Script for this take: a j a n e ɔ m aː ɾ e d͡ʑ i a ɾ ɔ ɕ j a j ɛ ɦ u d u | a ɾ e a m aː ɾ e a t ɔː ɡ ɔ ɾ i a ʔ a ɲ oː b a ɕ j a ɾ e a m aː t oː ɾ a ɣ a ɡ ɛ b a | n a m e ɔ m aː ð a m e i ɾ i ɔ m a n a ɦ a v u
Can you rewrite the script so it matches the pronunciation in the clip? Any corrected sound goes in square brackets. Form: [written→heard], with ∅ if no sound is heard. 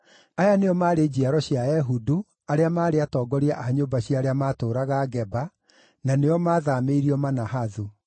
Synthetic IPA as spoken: a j a n e ɔ m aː ɾ e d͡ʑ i a ɾ ɔ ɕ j a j ɛ ɦ u d u | a ɾ e a m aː ɾ e a t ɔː ɡ ɔ ɾ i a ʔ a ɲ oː b a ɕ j a ɾ e a m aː t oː ɾ a ɣ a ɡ ɛ b a | n a [m→n] e ɔ m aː ð a m e i ɾ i ɔ m a n a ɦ a [v→ð] u